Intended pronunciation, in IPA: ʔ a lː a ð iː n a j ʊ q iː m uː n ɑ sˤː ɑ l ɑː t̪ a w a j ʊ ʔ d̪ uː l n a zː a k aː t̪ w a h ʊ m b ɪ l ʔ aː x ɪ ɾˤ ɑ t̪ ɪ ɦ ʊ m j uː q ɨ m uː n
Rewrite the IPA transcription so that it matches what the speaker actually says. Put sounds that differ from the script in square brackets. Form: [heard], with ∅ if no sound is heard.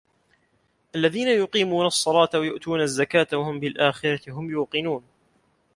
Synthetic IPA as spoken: ʔ a lː a ð iː n a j ʊ q iː m uː n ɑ sˤː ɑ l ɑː t̪ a w a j ʊ ʔ [t̪] uː [∅] n a zː a k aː t̪ w a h ʊ m b ɪ l ʔ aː x ɪ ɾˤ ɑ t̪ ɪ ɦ ʊ m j uː q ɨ [n] uː n